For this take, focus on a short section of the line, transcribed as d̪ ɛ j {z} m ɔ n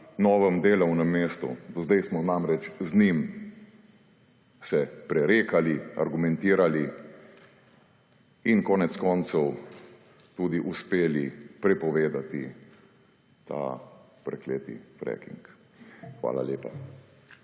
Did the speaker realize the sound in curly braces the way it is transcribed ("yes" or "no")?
no